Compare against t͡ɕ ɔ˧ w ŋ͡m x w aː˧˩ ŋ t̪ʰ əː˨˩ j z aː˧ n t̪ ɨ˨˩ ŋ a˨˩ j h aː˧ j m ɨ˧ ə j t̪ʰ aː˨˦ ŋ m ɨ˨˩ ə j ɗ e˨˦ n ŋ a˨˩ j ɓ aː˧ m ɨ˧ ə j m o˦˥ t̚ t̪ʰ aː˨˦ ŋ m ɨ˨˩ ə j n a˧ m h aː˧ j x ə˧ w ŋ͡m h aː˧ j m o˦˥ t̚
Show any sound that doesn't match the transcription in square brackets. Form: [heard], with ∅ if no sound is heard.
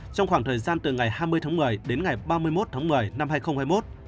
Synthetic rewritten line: t͡ɕ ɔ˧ w ŋ͡m x w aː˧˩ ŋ t̪ʰ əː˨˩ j z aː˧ n t̪ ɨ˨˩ ŋ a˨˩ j h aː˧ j m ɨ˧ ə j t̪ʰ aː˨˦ ŋ m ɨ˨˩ ə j ɗ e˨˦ n ŋ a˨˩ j ɓ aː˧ m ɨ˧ ə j m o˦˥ t̚ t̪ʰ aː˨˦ ŋ m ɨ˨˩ ə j n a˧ m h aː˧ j x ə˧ w ŋ͡m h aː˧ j m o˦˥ t̚